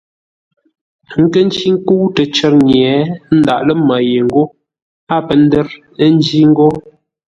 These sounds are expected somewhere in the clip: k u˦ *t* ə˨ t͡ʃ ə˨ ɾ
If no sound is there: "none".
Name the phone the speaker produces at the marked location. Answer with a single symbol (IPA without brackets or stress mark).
t